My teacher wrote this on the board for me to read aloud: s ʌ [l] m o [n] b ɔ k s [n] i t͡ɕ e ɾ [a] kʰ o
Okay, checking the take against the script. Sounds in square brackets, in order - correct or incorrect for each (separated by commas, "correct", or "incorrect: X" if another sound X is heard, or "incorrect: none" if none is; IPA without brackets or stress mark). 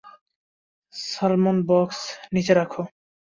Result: correct, correct, correct, correct